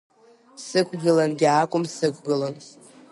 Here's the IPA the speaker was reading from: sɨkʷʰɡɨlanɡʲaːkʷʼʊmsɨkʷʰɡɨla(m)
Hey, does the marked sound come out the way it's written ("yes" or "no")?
no